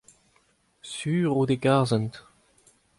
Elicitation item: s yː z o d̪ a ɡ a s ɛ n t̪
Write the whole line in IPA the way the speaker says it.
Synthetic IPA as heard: s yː ʁ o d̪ e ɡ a z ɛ n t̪